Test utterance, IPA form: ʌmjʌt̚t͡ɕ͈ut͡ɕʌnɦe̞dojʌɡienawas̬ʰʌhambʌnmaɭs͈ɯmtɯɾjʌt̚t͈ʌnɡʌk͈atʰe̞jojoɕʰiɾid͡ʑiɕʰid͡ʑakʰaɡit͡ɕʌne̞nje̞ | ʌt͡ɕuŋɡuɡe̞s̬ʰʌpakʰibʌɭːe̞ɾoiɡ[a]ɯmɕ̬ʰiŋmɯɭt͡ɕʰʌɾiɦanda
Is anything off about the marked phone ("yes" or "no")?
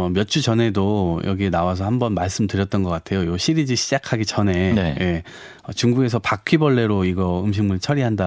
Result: yes